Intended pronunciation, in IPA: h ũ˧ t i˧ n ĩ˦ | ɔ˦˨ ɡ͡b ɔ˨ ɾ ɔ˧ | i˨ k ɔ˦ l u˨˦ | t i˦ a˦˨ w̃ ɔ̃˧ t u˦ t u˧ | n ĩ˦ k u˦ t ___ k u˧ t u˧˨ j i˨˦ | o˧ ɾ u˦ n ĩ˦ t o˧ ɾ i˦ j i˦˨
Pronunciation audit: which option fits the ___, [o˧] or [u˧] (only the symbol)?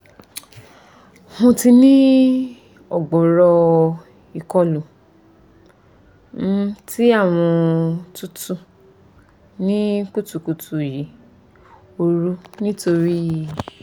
u˧